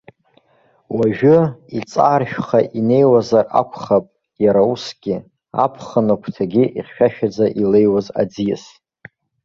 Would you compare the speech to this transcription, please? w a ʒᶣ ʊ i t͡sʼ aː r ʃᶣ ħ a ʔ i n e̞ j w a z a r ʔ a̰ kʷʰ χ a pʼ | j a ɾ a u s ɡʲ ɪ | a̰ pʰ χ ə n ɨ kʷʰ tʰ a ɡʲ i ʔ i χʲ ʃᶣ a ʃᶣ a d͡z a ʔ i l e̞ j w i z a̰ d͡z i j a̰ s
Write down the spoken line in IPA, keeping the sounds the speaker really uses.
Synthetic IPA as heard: w a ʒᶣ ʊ i t͡sʼ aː r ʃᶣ χ a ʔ i n e̞ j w a z a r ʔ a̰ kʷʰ χ a pʼ | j a ɾ a u s ɡʲ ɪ | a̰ pʰ χ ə n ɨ kʷʰ tʰ a ɡʲ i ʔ i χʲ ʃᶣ a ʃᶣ a d͡z a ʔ i l e̞ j w a z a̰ d͡z i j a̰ s